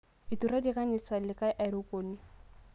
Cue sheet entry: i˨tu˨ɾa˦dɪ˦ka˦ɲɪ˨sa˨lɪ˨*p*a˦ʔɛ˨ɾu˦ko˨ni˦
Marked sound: incorrect: k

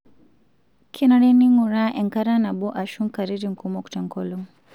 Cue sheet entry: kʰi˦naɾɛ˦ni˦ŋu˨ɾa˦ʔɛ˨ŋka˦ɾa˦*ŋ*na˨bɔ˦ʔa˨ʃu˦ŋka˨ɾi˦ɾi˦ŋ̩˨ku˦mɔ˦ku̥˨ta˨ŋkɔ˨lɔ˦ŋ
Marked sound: incorrect: none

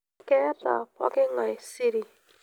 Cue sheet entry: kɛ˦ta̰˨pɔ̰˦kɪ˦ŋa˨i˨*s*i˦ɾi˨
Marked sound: correct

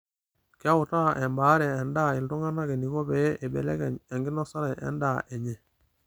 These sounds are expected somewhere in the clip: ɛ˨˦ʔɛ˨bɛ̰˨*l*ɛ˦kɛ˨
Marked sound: correct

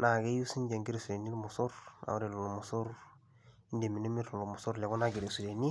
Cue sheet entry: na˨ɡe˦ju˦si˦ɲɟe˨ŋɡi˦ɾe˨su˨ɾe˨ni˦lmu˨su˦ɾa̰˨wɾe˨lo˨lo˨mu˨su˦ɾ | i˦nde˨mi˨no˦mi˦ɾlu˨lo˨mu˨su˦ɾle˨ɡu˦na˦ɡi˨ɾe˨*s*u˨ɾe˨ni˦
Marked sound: correct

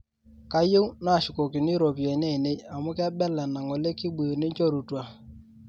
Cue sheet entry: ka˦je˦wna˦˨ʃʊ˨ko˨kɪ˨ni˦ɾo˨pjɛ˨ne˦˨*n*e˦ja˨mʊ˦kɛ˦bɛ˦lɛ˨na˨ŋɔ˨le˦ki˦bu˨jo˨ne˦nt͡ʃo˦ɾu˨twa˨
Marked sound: correct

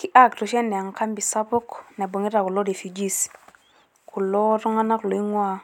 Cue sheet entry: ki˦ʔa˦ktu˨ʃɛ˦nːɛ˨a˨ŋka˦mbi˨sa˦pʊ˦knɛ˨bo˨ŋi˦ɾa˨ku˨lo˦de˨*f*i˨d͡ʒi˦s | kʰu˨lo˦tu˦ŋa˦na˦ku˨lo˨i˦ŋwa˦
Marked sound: correct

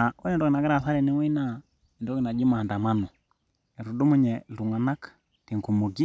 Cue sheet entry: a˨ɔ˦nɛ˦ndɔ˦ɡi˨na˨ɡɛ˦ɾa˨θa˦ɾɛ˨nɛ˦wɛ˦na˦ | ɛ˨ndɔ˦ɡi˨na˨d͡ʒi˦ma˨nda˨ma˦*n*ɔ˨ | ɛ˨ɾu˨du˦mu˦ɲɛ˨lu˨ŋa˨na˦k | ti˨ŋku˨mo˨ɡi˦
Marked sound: correct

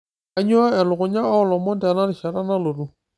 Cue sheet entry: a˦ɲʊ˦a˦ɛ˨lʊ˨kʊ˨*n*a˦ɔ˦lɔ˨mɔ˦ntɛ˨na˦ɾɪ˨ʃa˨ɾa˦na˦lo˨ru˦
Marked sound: incorrect: ɲ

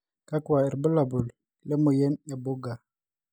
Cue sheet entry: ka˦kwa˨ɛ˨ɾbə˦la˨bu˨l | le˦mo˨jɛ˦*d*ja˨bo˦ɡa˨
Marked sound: incorrect: n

